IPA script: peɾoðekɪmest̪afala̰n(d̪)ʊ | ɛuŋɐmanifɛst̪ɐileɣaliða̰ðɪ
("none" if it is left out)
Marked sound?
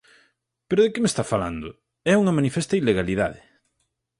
d̪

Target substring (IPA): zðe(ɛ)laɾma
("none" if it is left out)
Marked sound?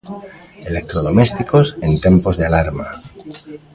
a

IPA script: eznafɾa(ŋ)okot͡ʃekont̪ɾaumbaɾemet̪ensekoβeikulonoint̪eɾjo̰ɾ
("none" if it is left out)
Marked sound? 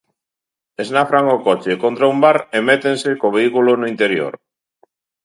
ŋ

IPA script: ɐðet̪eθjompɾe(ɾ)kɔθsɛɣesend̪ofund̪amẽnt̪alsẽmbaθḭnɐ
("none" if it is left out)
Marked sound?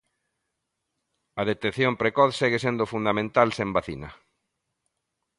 none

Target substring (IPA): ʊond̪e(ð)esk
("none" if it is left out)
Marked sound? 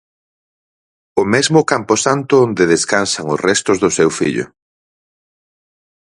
ð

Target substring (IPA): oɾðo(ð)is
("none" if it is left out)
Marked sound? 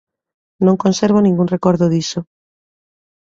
ð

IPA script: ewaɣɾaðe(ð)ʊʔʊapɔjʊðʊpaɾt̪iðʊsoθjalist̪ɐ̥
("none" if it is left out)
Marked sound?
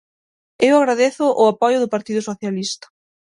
θ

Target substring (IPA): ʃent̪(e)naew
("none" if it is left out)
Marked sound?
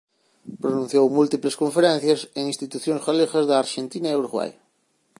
i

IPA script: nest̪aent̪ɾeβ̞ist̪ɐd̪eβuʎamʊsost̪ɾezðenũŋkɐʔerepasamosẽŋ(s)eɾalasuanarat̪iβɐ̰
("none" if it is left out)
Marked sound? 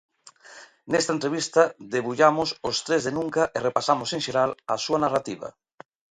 ʃ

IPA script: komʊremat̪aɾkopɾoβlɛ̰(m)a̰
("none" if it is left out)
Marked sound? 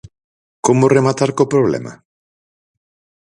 m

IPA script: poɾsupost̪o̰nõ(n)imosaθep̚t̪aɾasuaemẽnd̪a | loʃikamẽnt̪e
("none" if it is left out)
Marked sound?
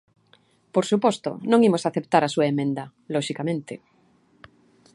ŋ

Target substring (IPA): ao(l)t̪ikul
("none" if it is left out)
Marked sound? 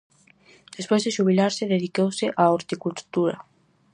ɾ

